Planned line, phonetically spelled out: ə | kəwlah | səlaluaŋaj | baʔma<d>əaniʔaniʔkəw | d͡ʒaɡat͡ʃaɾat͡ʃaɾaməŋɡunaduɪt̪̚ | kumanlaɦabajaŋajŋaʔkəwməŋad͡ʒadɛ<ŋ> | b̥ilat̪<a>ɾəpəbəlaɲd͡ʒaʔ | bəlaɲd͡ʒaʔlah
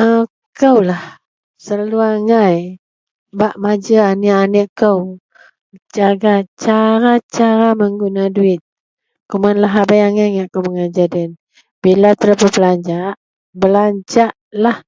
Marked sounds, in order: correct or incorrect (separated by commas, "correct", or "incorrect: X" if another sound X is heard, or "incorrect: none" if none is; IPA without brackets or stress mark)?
incorrect: d͡ʒ, incorrect: n, incorrect: ə